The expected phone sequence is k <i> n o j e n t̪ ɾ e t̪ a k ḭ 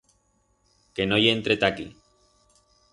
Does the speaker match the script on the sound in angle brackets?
no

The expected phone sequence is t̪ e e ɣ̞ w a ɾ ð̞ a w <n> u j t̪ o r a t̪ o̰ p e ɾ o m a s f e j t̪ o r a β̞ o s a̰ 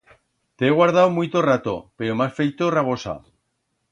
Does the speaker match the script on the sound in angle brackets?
no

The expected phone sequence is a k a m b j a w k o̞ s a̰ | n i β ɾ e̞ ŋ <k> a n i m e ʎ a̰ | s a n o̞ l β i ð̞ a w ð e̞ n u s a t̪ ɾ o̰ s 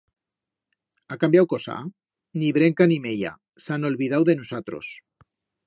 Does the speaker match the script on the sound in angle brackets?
yes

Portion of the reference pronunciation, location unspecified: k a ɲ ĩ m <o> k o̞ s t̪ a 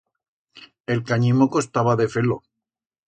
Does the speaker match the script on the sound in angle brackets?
yes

